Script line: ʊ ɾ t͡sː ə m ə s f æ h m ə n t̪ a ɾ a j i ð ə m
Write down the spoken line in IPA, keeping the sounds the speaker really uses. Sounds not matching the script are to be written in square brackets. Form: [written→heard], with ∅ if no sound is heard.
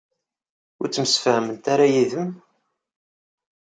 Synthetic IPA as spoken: ʊ ɾ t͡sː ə m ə s f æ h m ə n t̪ a ɾ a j i ð ə m